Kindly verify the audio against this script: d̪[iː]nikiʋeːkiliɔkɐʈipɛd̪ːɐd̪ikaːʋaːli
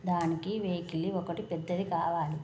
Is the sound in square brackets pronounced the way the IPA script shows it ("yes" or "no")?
no